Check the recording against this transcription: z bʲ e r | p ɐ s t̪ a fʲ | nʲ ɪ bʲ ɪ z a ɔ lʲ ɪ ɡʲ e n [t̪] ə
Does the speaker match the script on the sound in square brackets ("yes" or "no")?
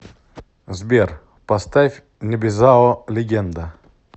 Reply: no